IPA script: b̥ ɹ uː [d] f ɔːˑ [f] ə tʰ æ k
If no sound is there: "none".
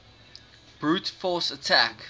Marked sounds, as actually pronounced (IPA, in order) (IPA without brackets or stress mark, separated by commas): t, s